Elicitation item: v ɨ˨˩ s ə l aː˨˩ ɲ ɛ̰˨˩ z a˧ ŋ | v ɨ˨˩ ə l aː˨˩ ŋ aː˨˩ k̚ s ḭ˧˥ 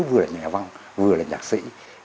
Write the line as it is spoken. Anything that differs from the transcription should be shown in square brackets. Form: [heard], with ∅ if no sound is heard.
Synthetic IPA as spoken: v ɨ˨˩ [∅] ə l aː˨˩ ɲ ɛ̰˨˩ [v] a˧ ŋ | v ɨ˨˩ ə l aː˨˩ [ɲ] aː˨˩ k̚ s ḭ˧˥

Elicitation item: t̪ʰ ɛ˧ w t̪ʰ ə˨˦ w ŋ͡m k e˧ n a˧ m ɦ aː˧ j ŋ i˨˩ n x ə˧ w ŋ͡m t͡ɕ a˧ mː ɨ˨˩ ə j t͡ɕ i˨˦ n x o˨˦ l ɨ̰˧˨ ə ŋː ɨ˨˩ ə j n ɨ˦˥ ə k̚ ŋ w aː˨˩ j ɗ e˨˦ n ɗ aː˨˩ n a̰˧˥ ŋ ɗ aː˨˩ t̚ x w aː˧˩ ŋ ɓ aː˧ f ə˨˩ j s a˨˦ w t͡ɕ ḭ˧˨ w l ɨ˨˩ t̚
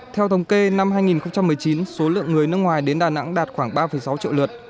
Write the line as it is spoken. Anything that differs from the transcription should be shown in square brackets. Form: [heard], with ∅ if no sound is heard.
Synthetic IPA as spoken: t̪ʰ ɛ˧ w t̪ʰ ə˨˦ w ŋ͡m k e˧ n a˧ m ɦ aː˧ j ŋ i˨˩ n x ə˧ w ŋ͡m t͡ɕ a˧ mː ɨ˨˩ ə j t͡ɕ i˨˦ n [s] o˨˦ l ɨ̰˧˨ ə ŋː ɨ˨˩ ə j n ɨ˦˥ ə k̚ ŋ w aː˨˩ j ɗ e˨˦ n ɗ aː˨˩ n a̰˧˥ ŋ ɗ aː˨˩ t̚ x w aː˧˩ ŋ ɓ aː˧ f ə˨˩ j s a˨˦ w t͡ɕ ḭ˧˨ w l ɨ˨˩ t̚

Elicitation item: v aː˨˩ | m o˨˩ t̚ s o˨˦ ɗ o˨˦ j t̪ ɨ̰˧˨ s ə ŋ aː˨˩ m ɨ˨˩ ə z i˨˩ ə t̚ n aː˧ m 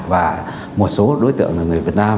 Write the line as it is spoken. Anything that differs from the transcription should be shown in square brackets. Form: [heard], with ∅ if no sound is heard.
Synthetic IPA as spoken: v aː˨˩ | m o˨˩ t̚ s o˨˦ ɗ o˨˦ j t̪ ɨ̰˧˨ [∅] ə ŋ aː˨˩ [ŋ] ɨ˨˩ ə [v] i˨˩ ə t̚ n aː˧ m

